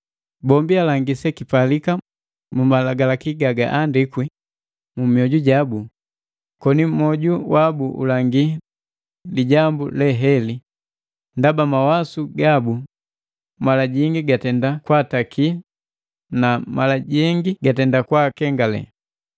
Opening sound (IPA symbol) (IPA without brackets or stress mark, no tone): b